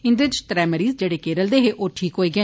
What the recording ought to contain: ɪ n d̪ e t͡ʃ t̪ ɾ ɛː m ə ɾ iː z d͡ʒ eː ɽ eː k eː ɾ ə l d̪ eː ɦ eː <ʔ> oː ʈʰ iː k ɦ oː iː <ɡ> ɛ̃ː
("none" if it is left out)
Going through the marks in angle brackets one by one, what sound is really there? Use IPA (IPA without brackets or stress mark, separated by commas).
ʔ, ɡ